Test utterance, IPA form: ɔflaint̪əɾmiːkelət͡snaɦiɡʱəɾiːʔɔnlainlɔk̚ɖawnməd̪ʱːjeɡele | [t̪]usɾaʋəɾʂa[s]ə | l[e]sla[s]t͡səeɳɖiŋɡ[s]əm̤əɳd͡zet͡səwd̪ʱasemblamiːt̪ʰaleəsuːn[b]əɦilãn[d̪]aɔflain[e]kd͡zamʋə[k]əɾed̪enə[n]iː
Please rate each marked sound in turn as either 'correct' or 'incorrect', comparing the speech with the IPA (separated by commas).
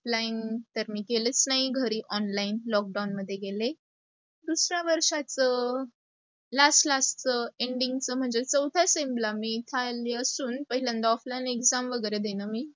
incorrect, incorrect, incorrect, correct, incorrect, incorrect, correct, correct, incorrect, incorrect